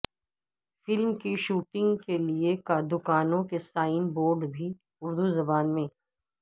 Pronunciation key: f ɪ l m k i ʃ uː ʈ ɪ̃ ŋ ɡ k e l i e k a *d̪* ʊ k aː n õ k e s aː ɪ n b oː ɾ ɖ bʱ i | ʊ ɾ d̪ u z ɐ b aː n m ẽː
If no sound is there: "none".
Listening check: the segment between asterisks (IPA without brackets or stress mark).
d̪